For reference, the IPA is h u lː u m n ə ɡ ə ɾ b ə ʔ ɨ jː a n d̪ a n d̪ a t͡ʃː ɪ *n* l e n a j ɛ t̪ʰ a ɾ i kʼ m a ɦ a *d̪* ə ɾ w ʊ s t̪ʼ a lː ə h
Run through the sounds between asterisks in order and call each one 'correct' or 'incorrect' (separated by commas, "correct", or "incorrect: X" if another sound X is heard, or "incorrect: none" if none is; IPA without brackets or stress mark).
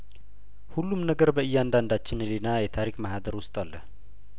correct, correct